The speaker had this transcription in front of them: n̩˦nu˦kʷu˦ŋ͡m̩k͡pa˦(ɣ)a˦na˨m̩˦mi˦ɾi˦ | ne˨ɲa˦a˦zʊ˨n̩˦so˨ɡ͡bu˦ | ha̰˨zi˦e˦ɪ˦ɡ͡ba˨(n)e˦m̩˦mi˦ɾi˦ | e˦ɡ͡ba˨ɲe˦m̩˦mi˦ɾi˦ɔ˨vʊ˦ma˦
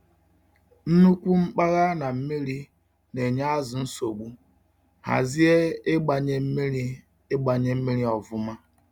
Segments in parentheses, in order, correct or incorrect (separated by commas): correct, incorrect